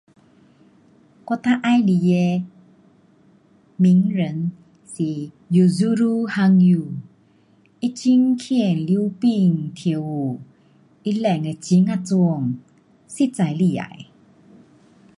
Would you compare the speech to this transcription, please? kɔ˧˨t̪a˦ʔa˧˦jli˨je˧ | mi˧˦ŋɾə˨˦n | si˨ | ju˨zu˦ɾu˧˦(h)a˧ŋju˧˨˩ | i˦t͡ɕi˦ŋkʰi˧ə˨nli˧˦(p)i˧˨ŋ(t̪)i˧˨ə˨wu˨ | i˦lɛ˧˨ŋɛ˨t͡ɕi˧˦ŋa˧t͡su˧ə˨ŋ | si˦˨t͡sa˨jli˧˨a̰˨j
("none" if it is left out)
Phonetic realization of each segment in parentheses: h, p, t̪ʰ

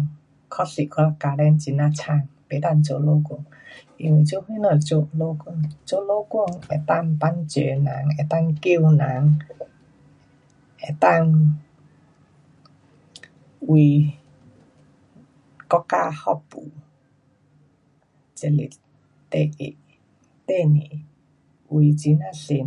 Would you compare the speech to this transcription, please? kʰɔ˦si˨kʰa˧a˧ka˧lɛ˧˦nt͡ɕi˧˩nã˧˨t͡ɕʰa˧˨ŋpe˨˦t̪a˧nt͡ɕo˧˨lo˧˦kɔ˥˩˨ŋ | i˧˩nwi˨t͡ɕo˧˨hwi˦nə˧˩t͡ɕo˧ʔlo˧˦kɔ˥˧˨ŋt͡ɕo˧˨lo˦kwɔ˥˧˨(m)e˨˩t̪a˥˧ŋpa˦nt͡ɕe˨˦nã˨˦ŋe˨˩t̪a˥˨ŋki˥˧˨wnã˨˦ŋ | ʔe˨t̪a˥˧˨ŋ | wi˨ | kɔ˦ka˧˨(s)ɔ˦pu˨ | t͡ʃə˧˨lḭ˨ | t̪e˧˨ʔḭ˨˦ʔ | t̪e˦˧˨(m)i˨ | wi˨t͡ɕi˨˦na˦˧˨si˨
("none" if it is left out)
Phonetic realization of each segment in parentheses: ŋ, h, n

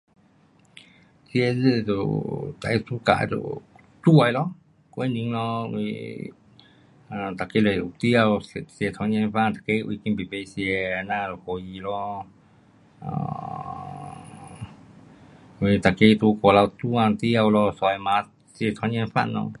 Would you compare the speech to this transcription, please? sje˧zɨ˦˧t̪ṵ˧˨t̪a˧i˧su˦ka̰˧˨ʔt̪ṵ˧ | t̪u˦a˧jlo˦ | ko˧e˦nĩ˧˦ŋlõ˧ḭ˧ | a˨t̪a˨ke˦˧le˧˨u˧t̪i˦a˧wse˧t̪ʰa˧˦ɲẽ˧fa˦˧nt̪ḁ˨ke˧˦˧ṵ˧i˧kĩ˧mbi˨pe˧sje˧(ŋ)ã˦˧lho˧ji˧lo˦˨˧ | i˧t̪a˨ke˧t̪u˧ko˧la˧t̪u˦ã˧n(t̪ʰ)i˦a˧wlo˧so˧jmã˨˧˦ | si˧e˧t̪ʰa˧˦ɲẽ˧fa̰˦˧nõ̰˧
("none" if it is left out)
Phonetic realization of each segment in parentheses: n, t̪

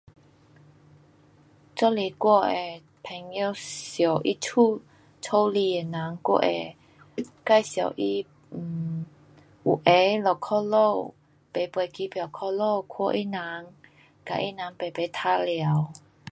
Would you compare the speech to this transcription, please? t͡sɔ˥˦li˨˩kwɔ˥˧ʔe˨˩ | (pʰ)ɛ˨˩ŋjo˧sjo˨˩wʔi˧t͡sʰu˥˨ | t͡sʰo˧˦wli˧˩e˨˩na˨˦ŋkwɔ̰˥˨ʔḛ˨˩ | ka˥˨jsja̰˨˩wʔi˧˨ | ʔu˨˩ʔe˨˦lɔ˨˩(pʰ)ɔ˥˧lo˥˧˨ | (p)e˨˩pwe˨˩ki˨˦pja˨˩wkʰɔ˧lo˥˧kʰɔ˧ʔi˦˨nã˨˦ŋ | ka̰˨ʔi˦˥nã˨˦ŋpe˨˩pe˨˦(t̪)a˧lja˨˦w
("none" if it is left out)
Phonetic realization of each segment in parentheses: pʰ, kʰ, p, t̪ʰ

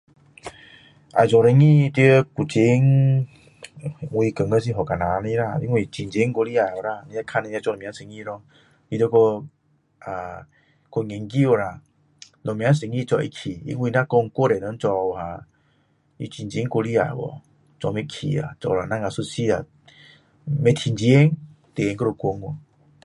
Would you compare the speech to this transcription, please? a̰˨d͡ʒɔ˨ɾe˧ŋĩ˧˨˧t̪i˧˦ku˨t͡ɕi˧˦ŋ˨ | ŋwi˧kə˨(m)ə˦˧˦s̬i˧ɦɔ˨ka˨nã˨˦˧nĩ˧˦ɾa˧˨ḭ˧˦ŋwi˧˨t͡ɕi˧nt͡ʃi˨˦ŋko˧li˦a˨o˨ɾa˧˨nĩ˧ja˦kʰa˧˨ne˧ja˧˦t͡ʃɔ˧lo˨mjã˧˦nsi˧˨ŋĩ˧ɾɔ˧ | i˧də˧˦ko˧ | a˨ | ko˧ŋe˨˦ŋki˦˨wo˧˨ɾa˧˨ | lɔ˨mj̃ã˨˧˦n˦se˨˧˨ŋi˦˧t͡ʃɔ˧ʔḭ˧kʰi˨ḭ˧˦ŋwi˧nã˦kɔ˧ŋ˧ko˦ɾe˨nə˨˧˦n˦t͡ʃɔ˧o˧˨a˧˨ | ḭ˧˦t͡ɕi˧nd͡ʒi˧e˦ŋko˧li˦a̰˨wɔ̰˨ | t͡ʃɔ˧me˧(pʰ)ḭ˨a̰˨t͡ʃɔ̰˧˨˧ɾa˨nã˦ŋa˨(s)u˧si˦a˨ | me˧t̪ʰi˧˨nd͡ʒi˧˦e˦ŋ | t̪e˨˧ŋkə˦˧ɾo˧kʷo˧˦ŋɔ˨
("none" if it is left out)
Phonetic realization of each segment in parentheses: ŋ, kʰ, s

